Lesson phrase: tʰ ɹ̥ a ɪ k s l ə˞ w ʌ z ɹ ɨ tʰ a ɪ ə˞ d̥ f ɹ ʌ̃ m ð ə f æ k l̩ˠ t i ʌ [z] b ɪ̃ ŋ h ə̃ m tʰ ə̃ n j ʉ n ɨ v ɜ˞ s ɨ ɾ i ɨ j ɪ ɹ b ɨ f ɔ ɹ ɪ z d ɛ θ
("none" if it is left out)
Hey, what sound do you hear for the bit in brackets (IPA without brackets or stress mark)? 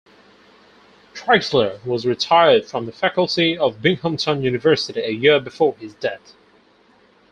v